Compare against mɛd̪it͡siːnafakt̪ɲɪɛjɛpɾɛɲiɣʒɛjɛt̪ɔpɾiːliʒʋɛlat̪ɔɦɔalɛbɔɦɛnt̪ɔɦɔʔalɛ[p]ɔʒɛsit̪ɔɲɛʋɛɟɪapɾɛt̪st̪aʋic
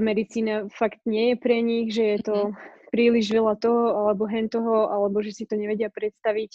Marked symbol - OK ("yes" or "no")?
no